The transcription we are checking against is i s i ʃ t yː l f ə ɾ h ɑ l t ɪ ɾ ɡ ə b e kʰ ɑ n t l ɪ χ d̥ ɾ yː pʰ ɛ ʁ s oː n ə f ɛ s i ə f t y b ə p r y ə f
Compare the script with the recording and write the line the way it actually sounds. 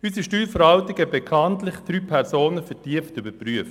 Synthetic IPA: y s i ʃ t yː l f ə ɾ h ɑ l t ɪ ɡ ə b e kʰ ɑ n t l ɪ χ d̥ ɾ yː pʰ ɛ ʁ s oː n ə f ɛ t i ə f t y b ə p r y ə f